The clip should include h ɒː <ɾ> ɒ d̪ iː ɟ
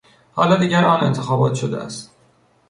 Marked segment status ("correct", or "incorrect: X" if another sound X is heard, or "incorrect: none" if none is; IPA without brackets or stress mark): incorrect: l